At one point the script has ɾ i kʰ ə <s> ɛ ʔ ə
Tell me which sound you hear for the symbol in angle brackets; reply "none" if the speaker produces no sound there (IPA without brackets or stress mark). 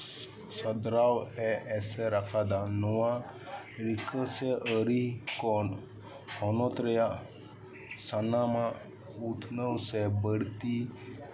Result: s